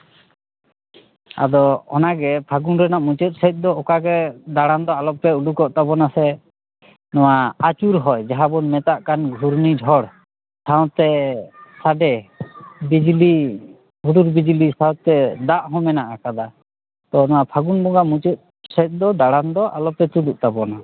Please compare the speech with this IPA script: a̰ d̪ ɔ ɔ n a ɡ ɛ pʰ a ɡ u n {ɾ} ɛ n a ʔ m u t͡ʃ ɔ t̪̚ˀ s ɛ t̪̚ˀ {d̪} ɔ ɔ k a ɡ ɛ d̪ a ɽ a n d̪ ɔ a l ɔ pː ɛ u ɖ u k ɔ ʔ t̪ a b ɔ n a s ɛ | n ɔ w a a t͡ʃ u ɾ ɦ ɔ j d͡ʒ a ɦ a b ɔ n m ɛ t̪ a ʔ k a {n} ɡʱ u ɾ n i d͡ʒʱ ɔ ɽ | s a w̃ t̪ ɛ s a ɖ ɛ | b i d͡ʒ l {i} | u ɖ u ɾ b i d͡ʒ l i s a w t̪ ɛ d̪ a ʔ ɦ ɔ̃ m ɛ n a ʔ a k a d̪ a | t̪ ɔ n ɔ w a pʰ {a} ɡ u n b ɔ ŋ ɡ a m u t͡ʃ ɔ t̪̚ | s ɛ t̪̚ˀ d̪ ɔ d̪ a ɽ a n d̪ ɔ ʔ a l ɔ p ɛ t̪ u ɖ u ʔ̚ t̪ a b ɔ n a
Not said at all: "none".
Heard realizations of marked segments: ɾ, d̪, n, i, a

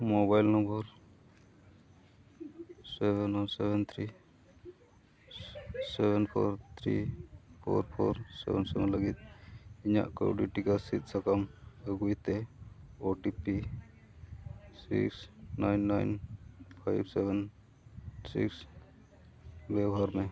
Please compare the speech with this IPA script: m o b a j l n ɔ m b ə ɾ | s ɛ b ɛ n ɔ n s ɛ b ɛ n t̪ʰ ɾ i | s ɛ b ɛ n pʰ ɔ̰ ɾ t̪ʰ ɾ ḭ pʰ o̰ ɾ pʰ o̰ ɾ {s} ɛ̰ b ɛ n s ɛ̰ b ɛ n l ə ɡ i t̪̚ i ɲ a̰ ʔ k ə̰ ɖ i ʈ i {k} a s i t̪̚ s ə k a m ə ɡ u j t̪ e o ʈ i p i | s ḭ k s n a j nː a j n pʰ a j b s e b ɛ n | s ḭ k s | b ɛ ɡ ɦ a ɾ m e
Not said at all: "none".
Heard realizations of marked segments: s, k

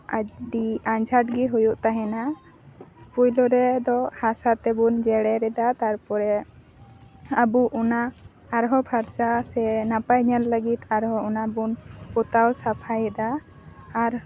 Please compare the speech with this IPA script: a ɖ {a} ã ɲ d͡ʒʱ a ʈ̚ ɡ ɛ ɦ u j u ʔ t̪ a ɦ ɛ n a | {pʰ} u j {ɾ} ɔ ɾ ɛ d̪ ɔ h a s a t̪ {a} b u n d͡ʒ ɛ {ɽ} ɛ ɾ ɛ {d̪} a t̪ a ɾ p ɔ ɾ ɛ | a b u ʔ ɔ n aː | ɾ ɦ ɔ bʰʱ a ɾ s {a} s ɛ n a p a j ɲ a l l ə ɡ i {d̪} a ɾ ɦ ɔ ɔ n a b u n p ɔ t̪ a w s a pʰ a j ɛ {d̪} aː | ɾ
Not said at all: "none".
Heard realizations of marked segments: i, p, l, ɛ, ɽ, d̪, a, t̪, d̪

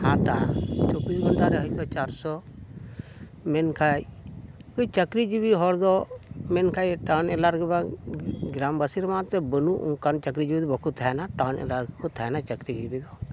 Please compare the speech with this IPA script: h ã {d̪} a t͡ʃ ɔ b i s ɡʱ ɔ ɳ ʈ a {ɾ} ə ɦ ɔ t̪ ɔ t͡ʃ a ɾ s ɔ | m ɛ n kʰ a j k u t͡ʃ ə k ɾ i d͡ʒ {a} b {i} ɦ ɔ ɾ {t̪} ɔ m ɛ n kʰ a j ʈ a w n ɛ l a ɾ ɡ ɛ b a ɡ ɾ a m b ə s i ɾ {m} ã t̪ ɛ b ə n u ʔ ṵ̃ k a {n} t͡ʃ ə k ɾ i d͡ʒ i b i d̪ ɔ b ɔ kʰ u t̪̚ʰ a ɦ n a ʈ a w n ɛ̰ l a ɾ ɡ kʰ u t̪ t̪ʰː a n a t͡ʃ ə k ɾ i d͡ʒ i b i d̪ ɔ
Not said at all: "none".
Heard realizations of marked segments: t̪, ɾ, i, i, d̪, m, n

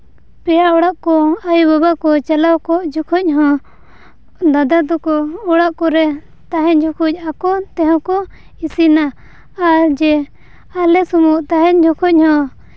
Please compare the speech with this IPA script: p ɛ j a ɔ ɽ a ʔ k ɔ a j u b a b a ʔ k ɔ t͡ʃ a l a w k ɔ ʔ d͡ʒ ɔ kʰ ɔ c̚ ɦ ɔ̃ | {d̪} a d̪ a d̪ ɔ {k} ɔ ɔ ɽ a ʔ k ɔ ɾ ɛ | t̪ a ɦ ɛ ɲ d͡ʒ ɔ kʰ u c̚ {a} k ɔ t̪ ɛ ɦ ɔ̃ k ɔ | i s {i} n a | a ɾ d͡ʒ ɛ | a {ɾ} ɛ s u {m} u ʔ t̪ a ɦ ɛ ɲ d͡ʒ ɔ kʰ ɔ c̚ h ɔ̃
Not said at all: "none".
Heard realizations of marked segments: d̪, k, a, i, l, m

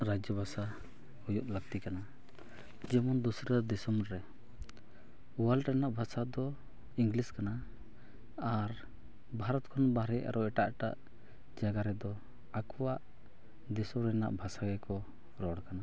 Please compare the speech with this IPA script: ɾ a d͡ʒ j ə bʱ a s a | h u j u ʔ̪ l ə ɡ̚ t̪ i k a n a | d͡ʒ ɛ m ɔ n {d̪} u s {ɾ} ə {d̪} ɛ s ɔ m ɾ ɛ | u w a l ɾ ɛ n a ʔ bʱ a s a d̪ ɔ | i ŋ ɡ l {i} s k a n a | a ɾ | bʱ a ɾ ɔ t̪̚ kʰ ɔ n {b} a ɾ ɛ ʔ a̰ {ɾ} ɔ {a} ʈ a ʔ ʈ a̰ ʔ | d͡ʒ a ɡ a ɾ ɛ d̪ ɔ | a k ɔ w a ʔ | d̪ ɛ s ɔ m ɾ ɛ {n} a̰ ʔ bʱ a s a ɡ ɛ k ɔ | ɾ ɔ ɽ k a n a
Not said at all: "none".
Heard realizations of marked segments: d̪, ɾ, d̪, i, b, ɾ, ɛ, n

